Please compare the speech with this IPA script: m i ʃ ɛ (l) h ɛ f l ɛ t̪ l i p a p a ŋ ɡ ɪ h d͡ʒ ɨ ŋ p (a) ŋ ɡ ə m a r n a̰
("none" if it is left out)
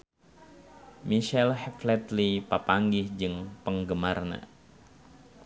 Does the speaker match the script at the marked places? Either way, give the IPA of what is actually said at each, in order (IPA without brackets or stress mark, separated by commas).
l, ə